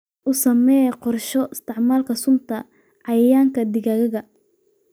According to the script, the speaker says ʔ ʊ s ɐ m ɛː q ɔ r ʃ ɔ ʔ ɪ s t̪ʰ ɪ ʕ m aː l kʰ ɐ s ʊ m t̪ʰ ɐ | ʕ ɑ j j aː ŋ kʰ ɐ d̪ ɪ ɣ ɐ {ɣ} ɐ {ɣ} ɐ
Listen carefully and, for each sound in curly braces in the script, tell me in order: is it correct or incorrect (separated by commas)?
correct, correct